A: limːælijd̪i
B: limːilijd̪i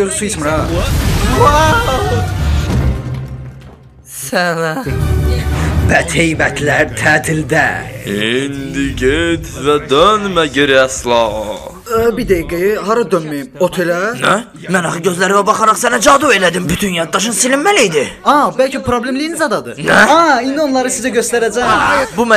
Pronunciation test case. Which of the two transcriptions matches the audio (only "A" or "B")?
A